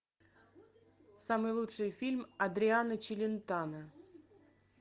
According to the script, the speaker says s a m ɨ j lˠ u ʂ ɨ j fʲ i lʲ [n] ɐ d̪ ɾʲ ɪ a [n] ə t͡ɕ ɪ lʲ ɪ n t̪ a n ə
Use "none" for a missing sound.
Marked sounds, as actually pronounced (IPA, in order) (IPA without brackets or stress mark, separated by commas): m, n